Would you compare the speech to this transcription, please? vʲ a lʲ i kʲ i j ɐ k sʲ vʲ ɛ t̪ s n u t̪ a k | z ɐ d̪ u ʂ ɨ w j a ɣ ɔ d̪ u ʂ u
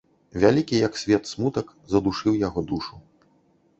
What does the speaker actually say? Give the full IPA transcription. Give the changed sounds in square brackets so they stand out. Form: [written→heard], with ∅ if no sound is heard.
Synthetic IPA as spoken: vʲ a lʲ i kʲ i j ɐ k sʲ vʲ ɛ t̪ s [n→m] u t̪ [a→ɐ] k | z ɐ d̪ u ʂ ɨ w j a ɣ ɔ d̪ u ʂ u

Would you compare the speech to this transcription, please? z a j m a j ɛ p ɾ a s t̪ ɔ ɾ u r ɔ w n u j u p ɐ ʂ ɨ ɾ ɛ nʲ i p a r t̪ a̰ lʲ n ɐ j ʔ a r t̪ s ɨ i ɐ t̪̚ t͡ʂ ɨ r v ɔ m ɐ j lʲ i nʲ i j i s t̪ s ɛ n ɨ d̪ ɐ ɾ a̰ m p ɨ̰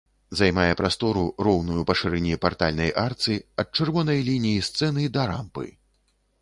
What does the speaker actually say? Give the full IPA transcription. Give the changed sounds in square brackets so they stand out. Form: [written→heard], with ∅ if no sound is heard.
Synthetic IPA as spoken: z a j m a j ɛ p ɾ a s t̪ ɔ ɾ u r ɔ w n u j u p ɐ ʂ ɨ ɾ ɛ nʲ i p a r t̪ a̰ lʲ n ɐ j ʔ a r t̪ s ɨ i ɐ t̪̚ t͡ʂ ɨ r v ɔ [m→n] ɐ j lʲ i nʲ i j i s t̪ s ɛ n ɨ d̪ ɐ ɾ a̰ m p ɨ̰

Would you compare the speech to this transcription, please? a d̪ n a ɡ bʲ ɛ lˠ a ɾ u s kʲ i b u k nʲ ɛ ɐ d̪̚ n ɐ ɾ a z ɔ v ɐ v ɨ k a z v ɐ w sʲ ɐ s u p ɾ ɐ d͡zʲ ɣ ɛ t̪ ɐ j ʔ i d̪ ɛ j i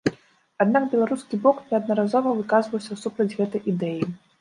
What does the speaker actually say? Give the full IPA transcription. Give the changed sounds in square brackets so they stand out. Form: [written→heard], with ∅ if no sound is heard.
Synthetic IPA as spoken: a d̪ n a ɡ bʲ ɛ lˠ a ɾ u s kʲ i b [u→ɔ] k nʲ ɛ ɐ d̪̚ n ɐ ɾ a z ɔ v ɐ v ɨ k a z v ɐ w sʲ ɐ s u p ɾ ɐ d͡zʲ ɣ ɛ t̪ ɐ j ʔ i d̪ ɛ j i

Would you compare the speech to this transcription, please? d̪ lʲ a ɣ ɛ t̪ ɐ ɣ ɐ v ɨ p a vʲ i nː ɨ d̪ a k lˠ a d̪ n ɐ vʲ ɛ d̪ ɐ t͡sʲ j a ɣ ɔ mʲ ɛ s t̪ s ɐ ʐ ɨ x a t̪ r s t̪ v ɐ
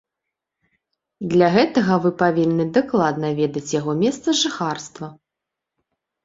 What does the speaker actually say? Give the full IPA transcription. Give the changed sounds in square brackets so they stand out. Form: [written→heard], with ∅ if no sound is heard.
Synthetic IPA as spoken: d̪ lʲ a ɣ ɛ t̪ ɐ ɣ ɐ v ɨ p a vʲ i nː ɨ d̪ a k lˠ a d̪ n ɐ vʲ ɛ d̪ ɐ t͡sʲ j a ɣ ɔ mʲ ɛ s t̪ s ɐ ʐ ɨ x a [t̪→∅] r s t̪ v ɐ

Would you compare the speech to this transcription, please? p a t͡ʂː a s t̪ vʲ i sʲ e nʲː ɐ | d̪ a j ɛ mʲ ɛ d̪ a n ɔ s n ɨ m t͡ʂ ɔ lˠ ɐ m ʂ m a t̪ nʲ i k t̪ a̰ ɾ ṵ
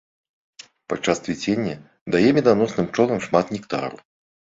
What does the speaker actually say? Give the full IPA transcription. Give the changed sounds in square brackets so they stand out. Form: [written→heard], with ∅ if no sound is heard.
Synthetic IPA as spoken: p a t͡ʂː a s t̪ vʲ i [sʲ→t͡sʲ] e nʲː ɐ | d̪ a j ɛ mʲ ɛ d̪ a n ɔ s n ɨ m t͡ʂ ɔ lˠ ɐ m ʂ m a t̪ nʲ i k t̪ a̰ ɾ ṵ

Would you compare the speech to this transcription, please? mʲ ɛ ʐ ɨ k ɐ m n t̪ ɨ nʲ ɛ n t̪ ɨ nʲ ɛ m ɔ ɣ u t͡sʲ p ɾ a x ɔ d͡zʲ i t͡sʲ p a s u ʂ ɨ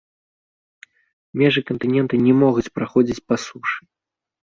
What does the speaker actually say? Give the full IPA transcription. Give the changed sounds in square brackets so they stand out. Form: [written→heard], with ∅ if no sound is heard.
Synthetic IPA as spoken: mʲ ɛ ʐ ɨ k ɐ [m→∅] n t̪ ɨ nʲ ɛ n t̪ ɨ nʲ ɛ m ɔ ɣ u t͡sʲ p ɾ a x ɔ d͡zʲ i t͡sʲ p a s u ʂ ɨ

